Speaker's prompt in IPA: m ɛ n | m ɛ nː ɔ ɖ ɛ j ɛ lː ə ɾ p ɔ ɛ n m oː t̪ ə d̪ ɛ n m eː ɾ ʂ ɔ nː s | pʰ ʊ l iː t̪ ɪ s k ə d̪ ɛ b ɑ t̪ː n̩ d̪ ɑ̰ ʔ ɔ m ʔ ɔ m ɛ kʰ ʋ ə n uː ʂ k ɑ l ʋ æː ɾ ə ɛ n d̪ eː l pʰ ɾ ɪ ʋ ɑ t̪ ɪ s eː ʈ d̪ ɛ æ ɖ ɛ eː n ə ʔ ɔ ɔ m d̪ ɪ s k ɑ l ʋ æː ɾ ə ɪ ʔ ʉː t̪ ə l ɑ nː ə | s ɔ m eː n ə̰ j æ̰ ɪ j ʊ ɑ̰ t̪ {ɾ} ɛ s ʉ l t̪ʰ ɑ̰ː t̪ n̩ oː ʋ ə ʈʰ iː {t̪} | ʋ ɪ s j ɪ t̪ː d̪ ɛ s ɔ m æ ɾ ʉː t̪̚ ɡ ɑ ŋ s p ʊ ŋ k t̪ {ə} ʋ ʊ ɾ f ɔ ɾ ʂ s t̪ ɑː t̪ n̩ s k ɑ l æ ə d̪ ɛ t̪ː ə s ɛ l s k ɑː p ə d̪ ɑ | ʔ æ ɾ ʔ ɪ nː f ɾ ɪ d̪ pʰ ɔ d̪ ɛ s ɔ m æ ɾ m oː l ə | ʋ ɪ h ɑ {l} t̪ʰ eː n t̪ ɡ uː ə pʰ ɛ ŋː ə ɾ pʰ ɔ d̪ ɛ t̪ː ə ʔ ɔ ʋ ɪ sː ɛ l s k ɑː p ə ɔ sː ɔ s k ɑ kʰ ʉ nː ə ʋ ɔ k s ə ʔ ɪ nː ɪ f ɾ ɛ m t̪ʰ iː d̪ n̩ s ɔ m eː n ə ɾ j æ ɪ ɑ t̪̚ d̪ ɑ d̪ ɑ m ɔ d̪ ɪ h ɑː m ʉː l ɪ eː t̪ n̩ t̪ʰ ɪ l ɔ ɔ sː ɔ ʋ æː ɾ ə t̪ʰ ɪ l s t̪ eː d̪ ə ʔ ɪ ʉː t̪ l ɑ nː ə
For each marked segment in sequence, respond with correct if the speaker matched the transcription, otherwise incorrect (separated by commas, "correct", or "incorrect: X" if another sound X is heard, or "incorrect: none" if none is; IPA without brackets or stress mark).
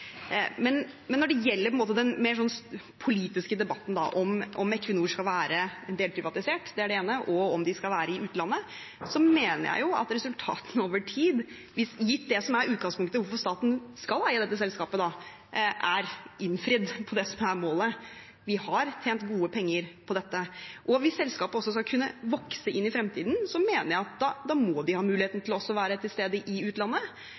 correct, incorrect: d̪, correct, incorrect: ɾ